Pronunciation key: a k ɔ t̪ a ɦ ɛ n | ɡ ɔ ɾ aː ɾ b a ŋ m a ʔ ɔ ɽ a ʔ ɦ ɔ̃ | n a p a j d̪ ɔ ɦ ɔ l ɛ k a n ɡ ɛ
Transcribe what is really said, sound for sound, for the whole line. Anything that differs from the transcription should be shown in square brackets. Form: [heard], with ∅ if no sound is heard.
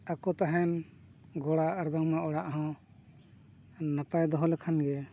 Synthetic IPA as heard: a k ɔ t̪ a ɦ ɛ n | ɡ ɔ [ɽ] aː ɾ b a ŋ m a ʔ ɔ ɽ a ʔ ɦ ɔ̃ | n a p a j d̪ ɔ ɦ ɔ l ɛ [kʰ] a n ɡ ɛ